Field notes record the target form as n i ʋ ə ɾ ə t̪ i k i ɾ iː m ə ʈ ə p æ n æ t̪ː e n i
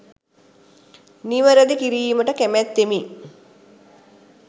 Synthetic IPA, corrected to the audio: n i ʋ ə ɾ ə d̪ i k i ɾ iː m ə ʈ ə k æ m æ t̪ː e m i